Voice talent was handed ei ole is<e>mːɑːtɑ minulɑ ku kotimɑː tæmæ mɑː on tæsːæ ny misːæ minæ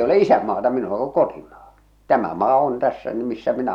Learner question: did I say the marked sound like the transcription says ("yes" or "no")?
no